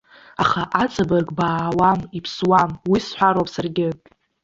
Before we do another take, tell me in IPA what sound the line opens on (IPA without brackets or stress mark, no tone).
a